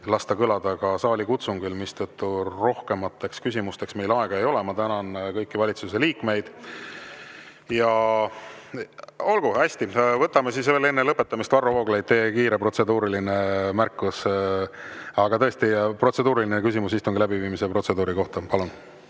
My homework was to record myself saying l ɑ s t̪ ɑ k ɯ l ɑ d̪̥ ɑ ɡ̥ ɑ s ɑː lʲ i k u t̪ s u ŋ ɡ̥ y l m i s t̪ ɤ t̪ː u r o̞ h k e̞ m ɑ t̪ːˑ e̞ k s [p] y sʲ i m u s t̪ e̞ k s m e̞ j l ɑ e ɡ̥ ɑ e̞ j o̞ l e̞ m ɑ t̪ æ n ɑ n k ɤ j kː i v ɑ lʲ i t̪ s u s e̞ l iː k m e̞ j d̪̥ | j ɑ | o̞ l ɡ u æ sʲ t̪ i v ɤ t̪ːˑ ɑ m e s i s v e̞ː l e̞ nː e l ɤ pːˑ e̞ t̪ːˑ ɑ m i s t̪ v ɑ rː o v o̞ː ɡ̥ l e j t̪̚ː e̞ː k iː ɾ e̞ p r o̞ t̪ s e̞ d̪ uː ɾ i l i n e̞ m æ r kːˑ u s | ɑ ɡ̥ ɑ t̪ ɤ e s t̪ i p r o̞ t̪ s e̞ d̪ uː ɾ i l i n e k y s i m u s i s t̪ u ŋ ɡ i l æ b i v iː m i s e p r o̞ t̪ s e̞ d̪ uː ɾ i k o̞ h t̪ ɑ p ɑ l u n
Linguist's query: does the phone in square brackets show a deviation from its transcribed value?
yes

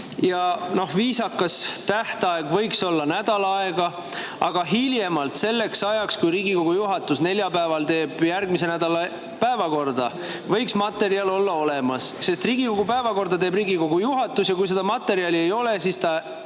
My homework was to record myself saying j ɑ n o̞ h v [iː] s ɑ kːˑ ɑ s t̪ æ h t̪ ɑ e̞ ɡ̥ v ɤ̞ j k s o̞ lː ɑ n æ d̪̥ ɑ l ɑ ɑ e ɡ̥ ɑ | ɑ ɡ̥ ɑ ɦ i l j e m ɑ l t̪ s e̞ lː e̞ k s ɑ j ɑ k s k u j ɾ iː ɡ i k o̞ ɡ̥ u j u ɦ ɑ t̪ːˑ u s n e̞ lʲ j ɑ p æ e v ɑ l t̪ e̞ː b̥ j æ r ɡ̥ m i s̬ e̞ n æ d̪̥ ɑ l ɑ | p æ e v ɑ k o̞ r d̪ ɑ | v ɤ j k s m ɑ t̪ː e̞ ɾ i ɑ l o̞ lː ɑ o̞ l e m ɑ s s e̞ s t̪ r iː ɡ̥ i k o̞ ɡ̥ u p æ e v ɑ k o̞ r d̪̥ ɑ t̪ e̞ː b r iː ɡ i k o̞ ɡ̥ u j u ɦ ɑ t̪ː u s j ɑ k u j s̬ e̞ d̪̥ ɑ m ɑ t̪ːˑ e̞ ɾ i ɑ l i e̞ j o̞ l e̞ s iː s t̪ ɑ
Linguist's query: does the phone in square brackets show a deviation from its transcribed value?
no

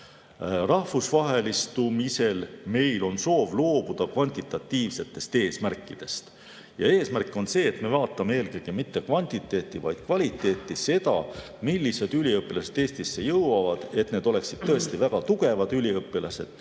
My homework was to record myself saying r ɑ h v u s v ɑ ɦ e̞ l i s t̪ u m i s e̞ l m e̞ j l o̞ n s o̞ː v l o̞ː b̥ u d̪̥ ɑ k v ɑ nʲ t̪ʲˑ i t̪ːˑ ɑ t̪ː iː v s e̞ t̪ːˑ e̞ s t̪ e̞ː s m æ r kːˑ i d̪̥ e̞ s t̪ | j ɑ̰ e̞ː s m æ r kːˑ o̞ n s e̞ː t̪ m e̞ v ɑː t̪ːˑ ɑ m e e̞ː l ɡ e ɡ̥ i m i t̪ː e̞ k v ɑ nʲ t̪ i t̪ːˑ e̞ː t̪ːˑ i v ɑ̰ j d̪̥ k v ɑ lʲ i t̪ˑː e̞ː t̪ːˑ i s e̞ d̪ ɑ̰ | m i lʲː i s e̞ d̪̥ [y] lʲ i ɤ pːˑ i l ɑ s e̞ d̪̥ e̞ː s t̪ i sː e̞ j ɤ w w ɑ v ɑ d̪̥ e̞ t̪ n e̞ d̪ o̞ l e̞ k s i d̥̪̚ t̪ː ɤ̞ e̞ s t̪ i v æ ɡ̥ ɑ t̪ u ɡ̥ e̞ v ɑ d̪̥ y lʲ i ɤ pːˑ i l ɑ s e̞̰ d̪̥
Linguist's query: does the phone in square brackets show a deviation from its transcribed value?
no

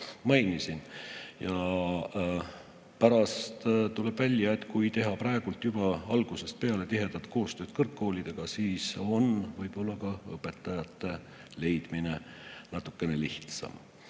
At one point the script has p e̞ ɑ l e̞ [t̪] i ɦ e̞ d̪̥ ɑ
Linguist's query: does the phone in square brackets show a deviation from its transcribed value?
no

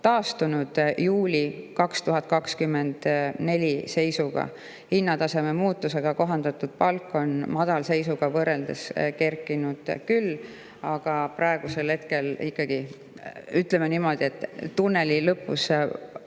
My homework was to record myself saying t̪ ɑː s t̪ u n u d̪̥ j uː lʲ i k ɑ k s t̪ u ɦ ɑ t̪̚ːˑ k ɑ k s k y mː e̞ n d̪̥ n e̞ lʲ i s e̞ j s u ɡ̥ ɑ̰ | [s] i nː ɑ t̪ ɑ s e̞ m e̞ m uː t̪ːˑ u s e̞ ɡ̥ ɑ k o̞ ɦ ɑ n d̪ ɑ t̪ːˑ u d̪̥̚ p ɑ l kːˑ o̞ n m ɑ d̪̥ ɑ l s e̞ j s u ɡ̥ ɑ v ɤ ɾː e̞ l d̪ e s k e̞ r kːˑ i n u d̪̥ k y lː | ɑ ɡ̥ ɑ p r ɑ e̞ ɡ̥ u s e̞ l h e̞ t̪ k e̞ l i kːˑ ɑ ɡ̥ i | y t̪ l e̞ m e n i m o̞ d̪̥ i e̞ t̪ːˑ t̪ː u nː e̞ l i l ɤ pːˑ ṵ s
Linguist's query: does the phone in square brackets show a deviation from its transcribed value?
yes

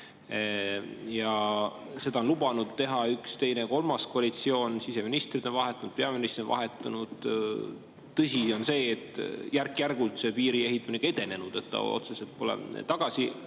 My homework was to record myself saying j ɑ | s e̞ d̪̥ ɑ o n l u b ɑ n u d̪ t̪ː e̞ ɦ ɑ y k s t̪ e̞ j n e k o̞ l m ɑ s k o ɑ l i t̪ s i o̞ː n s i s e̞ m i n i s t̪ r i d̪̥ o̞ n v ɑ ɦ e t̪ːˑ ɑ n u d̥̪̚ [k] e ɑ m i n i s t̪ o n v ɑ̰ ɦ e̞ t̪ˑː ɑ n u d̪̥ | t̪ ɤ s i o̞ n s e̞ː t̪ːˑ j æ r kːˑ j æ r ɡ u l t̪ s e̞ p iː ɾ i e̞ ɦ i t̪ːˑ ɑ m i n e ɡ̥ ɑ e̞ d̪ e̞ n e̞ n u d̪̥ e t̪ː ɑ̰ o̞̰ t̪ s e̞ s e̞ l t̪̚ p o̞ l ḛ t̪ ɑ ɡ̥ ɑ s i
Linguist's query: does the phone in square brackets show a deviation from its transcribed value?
yes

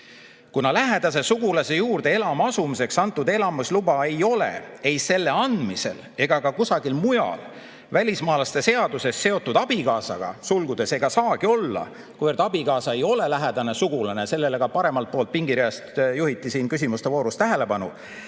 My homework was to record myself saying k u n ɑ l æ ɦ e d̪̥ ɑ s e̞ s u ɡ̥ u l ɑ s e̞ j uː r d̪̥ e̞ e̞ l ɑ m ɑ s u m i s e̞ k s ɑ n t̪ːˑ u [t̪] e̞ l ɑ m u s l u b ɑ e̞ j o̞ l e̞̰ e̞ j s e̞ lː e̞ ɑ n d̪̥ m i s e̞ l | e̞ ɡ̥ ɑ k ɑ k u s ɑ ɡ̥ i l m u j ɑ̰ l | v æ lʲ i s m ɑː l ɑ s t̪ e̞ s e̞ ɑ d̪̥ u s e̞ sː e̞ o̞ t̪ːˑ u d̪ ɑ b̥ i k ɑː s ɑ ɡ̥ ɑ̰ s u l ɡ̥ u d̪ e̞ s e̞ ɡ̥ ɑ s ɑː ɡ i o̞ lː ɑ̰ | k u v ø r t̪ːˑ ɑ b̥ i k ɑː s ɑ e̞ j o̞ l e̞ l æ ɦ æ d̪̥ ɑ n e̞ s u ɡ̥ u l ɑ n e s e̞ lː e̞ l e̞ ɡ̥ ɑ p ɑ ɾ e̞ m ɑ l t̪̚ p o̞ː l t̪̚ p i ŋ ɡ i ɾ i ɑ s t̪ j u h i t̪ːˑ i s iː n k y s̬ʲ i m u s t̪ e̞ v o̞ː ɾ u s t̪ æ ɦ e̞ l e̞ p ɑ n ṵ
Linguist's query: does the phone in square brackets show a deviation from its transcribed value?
yes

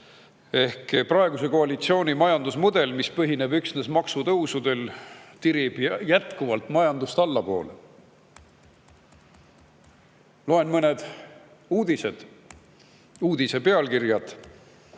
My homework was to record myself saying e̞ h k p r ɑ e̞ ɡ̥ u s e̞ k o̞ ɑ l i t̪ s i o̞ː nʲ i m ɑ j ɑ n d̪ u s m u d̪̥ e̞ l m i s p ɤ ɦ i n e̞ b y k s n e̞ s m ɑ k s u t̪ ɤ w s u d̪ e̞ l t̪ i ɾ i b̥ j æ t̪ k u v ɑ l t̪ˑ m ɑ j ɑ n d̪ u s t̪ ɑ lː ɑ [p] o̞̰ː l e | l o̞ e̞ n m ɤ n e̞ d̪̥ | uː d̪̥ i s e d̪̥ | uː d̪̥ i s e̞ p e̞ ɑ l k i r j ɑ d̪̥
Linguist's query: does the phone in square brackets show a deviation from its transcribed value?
no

